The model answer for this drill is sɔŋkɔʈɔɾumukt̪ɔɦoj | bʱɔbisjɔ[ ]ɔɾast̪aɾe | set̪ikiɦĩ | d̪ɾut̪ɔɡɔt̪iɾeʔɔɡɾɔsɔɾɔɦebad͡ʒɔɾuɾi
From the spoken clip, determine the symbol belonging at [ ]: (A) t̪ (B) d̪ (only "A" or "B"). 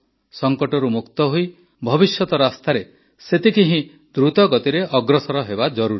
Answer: A